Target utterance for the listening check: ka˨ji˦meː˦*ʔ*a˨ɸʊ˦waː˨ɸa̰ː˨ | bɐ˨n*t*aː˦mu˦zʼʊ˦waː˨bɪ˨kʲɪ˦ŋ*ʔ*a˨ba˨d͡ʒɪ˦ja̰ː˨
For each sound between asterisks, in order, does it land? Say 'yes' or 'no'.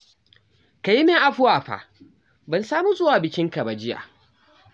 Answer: yes, no, no

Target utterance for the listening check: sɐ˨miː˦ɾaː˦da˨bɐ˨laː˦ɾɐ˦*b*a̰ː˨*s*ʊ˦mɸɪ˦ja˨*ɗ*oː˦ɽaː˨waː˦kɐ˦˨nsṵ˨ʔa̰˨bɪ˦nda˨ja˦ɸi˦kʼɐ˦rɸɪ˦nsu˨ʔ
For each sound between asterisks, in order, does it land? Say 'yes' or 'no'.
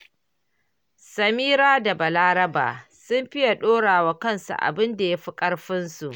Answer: yes, yes, yes

